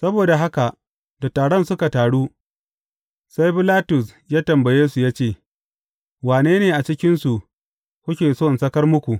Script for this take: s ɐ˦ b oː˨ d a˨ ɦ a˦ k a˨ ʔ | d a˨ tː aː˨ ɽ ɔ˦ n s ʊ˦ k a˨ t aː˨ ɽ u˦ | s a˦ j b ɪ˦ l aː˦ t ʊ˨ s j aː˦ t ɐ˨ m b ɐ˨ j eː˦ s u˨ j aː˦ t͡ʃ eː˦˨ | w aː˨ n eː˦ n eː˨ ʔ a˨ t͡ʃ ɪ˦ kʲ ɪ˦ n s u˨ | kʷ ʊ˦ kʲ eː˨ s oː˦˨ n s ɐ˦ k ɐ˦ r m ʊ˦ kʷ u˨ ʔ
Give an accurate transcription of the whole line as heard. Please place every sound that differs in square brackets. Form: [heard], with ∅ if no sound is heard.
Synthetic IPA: s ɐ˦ b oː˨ d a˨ ɦ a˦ k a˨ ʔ | d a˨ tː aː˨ ɽ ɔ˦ n s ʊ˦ k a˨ t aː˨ ɽ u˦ | s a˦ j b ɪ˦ l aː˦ t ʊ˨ s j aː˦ t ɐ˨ m b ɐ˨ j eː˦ s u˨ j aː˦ t͡ʃ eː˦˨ | w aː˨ n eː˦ n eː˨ ʔ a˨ t͡ʃ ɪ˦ kʲ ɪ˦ n s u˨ | kʷ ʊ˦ kʲ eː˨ s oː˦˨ n s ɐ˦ k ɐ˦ r m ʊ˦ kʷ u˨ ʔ